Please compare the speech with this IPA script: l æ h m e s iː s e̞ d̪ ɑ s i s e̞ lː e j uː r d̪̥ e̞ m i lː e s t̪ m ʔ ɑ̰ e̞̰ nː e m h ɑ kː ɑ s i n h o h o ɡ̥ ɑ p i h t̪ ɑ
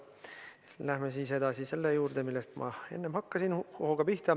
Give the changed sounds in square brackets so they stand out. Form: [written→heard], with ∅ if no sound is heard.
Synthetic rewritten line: l æ h m e s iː s e̞ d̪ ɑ s i s e̞ lː e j uː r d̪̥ e̞ m i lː e s t̪ m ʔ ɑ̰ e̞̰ nː e m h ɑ kː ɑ s i n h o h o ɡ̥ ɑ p i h t̪ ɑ